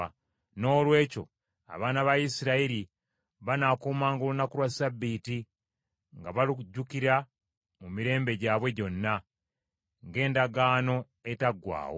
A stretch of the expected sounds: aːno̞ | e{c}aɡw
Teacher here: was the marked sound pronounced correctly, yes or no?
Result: no